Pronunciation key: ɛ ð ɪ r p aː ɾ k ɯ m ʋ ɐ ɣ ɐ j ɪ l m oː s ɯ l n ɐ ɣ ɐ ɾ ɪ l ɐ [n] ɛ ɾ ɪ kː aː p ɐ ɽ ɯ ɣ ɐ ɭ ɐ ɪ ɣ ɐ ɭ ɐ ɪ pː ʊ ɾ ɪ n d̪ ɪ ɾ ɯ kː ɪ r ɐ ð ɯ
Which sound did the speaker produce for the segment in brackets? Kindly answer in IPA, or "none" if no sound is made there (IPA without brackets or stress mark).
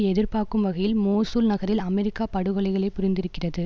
m